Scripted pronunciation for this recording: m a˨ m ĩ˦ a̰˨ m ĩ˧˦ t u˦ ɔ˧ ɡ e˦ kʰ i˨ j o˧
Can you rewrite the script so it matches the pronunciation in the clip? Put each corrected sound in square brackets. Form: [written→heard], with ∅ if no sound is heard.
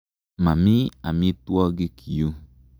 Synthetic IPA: m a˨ m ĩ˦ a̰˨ m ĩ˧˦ t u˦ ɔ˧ ɡ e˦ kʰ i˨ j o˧